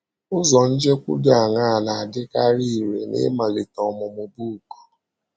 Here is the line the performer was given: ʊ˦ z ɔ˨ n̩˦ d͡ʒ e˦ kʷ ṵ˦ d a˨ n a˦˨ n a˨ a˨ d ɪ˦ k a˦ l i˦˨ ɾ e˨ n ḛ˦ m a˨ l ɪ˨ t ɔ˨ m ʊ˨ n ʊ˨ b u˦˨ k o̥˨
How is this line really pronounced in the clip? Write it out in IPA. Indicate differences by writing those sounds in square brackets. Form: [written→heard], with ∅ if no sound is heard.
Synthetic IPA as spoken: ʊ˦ z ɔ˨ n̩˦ d͡ʒ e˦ kʷ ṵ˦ d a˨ [n→ŋ] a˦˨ n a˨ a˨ d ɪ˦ k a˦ [l→ɾ] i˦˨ ɾ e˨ n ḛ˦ m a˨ l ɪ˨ t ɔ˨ m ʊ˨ [n→m] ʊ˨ b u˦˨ k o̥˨